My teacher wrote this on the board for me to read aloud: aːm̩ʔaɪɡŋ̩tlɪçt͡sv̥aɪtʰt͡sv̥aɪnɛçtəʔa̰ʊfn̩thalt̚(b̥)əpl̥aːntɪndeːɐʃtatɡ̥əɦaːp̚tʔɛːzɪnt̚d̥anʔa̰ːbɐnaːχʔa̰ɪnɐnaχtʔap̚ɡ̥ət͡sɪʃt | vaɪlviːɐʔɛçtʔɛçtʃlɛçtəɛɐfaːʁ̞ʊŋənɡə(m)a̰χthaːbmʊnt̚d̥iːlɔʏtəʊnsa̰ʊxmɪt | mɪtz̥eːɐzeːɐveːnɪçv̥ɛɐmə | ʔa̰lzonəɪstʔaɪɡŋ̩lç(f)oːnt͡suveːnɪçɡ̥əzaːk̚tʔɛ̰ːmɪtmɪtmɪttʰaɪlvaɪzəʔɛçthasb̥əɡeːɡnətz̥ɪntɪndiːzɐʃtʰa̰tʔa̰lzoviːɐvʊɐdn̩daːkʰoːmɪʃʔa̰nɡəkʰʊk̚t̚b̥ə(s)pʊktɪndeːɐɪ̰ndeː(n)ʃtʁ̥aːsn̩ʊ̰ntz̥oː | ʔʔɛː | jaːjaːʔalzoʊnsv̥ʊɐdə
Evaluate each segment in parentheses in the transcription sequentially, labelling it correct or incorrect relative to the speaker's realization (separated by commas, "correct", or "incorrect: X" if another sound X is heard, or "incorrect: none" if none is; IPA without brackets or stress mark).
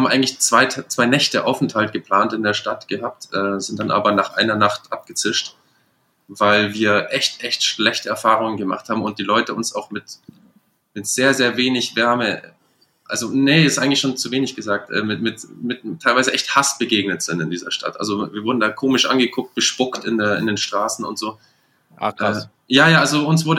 incorrect: ɡ̥, correct, incorrect: ʃ, incorrect: ʃ, correct